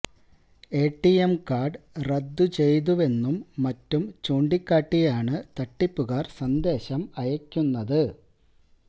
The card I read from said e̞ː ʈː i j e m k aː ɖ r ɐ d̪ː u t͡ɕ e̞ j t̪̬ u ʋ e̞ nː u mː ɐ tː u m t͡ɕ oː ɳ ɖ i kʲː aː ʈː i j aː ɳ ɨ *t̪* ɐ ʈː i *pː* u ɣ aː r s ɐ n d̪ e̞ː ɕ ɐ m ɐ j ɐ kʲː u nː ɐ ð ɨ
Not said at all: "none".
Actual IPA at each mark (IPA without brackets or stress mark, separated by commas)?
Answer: t̪, pː